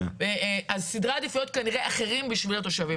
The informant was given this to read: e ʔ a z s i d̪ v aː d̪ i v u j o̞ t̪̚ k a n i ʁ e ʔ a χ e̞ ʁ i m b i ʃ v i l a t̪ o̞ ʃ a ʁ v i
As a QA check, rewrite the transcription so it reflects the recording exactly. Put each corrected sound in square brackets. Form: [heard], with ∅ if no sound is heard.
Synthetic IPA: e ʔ a z s i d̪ [ʁ] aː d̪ i [f] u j o̞ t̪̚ k a n i ʁ e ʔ a χ e̞ ʁ i m b i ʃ v i l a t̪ o̞ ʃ a [∅] v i